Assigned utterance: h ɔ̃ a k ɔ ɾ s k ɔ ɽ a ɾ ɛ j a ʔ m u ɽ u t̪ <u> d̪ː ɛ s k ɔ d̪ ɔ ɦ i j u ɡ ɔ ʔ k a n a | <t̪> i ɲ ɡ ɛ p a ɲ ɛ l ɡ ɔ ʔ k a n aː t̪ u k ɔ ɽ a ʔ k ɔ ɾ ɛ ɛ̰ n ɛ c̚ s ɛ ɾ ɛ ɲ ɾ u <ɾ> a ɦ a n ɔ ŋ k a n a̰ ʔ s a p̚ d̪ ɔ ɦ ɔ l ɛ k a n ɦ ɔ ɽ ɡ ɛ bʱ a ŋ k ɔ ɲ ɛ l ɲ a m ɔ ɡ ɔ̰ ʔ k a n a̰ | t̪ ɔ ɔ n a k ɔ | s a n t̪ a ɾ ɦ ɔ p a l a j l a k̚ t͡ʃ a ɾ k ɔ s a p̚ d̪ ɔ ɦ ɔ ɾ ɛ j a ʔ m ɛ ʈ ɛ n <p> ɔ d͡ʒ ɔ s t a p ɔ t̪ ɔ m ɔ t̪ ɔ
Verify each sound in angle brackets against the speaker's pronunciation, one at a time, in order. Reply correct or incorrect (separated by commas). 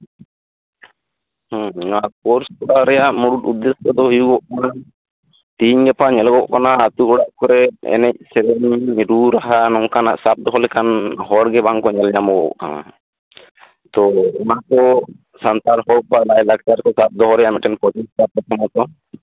correct, correct, correct, correct